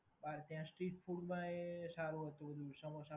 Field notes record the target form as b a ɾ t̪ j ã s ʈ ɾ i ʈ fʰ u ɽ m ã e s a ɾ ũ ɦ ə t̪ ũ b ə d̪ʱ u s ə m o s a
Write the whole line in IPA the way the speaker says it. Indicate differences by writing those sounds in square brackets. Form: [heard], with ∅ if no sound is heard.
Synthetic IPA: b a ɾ t̪ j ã s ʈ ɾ i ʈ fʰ u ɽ m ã e s a ɾ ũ ɦ ə t̪ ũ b ə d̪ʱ u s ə m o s a

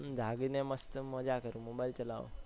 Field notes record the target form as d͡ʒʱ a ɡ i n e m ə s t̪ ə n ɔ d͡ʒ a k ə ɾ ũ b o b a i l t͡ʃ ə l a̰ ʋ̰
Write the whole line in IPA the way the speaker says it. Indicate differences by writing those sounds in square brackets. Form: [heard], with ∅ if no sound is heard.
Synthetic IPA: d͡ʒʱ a ɡ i n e m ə s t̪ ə [m] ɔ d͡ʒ a k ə ɾ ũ [m] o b a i l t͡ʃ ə l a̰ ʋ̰

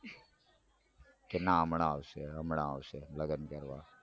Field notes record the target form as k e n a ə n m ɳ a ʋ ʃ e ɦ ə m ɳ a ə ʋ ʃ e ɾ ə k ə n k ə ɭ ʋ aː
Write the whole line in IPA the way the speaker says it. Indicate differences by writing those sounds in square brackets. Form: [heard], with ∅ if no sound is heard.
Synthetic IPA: k e n a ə [∅] m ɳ a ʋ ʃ e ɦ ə m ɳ a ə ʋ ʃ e [l] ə [ɡ] ə n k ə [ɾ] ʋ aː

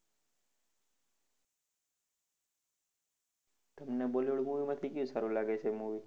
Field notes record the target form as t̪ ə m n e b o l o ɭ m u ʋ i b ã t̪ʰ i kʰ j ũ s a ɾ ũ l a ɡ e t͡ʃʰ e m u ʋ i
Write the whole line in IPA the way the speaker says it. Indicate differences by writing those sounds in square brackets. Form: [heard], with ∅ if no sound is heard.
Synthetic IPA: t̪ ə m n e b o l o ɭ m u ʋ i [m] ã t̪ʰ i [k] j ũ s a ɾ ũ l a ɡ e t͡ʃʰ e m u ʋ i

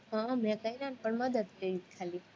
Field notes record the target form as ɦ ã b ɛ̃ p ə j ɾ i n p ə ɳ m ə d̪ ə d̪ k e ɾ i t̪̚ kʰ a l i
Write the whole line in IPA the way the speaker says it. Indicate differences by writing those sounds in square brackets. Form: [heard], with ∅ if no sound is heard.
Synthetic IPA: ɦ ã [m] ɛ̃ [k] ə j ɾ [a] n p ə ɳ m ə d̪ ə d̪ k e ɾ i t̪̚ kʰ a l i

